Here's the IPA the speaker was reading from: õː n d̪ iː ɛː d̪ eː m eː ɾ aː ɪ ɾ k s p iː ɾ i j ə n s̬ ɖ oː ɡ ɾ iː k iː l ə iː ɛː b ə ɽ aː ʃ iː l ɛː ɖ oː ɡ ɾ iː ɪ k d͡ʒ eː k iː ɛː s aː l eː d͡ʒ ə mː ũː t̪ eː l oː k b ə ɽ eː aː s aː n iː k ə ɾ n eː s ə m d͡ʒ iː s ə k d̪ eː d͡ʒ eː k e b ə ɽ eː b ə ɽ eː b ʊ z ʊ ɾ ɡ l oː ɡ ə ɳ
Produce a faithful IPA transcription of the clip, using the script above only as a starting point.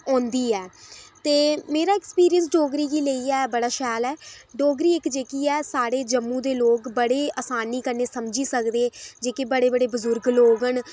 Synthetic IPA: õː n d̪ iː ɛː t̪ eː m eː ɾ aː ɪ k s p iː ɾ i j ə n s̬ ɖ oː ɡ ɾ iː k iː l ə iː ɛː b ə ɽ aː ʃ ɛː l ɛː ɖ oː ɡ ɾ iː ɪ k d͡ʒ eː k iː ɛː s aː ɽ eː d͡ʒ ə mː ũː d̪ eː l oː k b ə ɽ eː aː s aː n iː k ə ɾ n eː s ə m d͡ʒ iː s ə k d̪ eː d͡ʒ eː k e b ə ɽ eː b ə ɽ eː b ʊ z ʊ ɾ ɡ l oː ɡ ə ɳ